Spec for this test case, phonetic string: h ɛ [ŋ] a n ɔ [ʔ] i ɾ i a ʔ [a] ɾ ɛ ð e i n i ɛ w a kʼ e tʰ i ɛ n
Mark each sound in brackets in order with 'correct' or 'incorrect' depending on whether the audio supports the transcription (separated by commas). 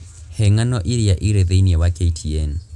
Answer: correct, correct, incorrect